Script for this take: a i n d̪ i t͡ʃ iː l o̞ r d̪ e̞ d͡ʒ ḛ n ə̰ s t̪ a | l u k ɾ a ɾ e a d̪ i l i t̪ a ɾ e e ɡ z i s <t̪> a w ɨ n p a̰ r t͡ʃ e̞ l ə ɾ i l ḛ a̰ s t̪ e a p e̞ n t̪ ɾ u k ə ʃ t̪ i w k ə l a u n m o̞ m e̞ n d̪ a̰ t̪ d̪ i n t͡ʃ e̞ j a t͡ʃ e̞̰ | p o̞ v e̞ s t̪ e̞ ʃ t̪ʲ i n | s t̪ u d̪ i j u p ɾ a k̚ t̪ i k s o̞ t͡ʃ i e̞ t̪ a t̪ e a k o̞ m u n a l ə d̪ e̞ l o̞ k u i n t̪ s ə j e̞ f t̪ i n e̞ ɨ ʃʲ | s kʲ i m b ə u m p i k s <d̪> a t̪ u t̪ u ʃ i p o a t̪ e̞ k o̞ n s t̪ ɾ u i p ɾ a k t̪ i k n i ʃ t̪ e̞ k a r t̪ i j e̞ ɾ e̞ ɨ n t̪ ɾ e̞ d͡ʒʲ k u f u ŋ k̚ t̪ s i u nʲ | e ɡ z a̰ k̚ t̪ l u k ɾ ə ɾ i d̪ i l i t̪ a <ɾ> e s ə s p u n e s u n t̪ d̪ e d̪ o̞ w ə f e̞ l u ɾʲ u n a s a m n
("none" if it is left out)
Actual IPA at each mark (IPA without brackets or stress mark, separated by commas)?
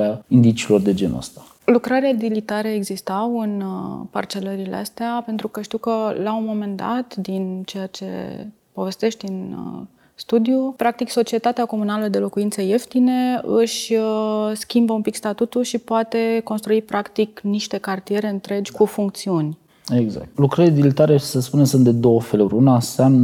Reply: t̪, t̪, ɾ